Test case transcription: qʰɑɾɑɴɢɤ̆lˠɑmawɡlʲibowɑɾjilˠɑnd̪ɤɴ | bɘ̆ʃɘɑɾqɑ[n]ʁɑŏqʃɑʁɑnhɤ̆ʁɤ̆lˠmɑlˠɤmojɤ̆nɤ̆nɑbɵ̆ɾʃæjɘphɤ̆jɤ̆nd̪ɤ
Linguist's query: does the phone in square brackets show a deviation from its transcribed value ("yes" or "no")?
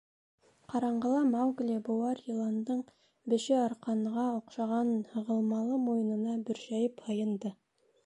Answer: no